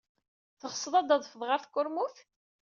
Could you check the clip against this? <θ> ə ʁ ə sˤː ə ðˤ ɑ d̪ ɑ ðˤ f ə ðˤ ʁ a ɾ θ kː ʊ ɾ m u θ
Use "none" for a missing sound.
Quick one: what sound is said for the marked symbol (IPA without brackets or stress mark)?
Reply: θ